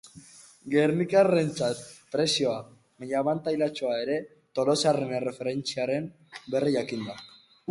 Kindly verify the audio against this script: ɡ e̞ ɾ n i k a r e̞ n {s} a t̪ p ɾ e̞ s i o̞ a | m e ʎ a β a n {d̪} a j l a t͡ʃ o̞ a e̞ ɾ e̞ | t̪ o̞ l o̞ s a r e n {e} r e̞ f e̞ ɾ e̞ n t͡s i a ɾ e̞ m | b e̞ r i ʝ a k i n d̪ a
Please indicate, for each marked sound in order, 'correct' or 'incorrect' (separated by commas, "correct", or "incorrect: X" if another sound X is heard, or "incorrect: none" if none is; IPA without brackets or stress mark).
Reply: incorrect: t͡s, incorrect: t̪, correct